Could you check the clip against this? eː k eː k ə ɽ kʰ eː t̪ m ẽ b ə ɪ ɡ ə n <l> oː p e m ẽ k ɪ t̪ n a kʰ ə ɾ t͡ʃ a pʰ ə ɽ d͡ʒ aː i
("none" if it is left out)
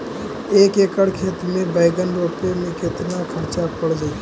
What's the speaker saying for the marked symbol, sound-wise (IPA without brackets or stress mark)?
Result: ɾ